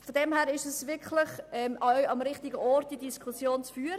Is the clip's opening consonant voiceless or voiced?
voiceless